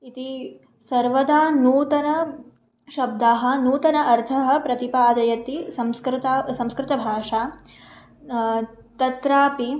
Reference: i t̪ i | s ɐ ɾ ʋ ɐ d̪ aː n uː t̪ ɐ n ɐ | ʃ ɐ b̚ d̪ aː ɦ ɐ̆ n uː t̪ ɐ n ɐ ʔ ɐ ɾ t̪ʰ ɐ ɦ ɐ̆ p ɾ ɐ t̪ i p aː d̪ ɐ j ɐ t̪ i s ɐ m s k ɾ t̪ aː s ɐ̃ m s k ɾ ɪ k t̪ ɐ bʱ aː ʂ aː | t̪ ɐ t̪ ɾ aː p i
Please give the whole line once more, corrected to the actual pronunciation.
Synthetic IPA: i t̪ i | s ɐ ɾ ʋ ɐ d̪ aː n uː t̪ ɐ n ɐ | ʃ ɐ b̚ d̪ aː ɦ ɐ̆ n uː t̪ ɐ n ɐ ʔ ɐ ɾ t̪ʰ ɐ ɦ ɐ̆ p ɾ ɐ t̪ i p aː d̪ ɐ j ɐ t̪ i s ɐ m s k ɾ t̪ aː s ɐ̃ m s k ɾ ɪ t̪ ɐ bʱ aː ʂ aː | t̪ ɐ t̪ ɾ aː p i

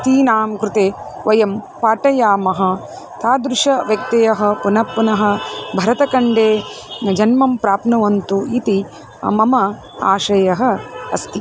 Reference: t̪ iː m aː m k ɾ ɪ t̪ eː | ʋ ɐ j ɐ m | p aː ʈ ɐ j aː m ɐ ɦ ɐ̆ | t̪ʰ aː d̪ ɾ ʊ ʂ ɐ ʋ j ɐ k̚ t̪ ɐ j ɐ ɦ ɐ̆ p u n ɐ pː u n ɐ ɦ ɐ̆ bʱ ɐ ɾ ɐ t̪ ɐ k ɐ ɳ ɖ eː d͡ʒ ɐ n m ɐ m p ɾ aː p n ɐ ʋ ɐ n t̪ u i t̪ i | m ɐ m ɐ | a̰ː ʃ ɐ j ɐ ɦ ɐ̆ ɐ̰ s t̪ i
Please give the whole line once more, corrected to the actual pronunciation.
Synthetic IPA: t̪ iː n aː m k ɾ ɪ t̪ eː | ʋ ɐ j ɐ m | p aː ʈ ɐ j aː m ɐ ɦ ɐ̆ | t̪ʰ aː d̪ ɾ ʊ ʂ ɐ ʋ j ɐ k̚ t̪ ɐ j ɐ ɦ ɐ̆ p u n ɐ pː u n ɐ ɦ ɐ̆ bʱ ɐ ɾ ɐ t̪ ɐ k ɐ ɳ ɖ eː d͡ʒ ɐ n m ɐ m p ɾ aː p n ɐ ʋ ɐ n t̪ u i t̪ i | m ɐ m ɐ | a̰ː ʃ ɐ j ɐ ɦ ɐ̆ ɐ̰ s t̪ i

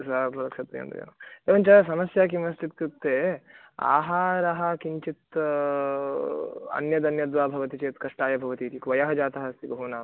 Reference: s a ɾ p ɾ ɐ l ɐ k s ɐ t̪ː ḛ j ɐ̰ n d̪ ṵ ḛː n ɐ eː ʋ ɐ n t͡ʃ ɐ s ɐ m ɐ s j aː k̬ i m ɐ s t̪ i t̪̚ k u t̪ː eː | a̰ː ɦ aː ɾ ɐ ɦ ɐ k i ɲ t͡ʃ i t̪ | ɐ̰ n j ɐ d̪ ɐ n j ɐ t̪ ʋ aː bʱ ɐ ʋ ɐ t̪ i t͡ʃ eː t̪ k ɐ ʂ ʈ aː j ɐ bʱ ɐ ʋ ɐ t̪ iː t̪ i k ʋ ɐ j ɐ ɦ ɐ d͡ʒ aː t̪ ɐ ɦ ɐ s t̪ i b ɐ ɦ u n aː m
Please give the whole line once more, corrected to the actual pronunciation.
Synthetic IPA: s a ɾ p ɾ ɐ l ɐ k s ɐ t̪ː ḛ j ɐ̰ n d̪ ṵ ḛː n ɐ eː ʋ ɐ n t͡ʃ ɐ s ɐ m ɐ s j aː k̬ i m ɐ s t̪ i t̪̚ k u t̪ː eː | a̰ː ɦ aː ɾ ɐ ɦ ɐ k i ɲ t͡ʃ i t̪ | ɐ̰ n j ɐ d̪ ɐ n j ɐ d̪ ʋ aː bʱ ɐ ʋ ɐ t̪ i t͡ʃ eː t̪ k ɐ ʂ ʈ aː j ɐ bʱ ɐ ʋ ɐ t̪ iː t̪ i k ʋ ɐ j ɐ ɦ ɐ d͡ʒ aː t̪ ɐ ɦ ɐ s t̪ i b ɐ ɦ u n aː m

